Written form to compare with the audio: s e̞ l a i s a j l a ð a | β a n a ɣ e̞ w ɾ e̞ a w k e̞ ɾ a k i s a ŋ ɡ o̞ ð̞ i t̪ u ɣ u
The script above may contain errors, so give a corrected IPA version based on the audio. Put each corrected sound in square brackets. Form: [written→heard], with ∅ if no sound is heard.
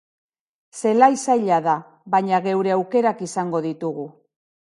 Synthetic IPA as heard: s e̞ l a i s a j [l→ʎ] a ð a | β a [n→ɲ] a ɣ e̞ w ɾ e̞ a w k e̞ ɾ a k i s a ŋ ɡ o̞ ð̞ i t̪ u ɣ u